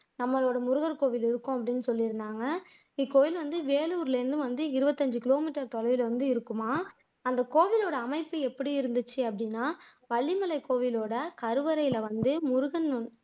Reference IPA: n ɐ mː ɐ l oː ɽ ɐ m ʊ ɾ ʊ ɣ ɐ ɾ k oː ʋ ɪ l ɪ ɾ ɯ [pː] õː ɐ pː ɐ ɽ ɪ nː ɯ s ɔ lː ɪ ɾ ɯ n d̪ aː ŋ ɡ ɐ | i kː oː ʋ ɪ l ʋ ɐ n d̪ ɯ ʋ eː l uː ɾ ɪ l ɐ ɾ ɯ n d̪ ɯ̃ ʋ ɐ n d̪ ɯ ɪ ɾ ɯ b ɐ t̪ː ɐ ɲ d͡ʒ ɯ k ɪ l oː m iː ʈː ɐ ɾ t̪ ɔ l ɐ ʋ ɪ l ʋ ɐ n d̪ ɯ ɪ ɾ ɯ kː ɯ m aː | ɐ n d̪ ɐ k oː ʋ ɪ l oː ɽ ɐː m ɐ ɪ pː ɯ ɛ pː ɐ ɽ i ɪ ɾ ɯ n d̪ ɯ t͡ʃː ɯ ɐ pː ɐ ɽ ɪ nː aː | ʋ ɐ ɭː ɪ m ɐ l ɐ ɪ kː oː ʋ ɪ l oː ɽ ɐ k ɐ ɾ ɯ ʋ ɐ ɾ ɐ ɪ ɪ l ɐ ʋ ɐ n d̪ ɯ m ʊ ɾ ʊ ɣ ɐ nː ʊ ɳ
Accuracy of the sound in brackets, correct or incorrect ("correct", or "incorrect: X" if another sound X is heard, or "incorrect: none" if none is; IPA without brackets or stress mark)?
incorrect: kː